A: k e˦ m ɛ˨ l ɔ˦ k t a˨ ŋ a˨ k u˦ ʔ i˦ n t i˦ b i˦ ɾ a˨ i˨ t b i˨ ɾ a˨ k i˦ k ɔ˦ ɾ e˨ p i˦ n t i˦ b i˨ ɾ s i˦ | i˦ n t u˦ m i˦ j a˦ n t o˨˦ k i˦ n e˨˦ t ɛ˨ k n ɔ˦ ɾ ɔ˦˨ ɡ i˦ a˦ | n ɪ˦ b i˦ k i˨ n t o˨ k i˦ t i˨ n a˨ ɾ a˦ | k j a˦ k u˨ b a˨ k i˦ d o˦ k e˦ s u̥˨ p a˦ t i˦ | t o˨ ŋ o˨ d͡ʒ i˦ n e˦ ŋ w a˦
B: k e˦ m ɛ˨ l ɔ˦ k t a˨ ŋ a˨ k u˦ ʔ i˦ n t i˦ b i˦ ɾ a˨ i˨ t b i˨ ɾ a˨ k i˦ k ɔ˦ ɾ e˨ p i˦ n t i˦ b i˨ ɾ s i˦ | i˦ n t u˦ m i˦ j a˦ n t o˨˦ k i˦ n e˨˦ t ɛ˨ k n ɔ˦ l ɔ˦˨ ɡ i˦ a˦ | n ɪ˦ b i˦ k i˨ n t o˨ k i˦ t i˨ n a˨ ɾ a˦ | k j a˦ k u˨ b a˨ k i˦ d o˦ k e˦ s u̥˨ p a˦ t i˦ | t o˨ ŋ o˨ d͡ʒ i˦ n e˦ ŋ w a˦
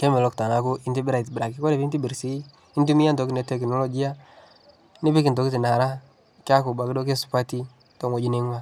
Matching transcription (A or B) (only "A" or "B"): B